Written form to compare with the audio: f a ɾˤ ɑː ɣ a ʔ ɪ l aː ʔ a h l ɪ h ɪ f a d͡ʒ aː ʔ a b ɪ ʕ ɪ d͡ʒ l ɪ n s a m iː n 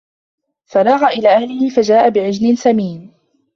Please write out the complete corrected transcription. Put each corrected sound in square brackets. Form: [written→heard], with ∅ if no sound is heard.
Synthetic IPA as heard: f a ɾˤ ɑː ɣ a ʔ ɪ l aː ʔ a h l ɪ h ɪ f a d͡ʒ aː ʔ a b ɪ ʕ ɪ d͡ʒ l ɪ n s a m iː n